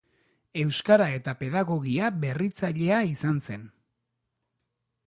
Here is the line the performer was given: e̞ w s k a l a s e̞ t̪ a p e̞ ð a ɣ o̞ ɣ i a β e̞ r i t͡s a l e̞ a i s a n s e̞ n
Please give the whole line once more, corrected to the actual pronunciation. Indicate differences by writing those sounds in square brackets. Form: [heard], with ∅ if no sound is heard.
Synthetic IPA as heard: e̞ w s k a [ɾ] a [∅] e̞ t̪ a p e̞ ð a ɣ o̞ ɣ i a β e̞ r i t͡s a [ʎ] e̞ a i s a n s e̞ n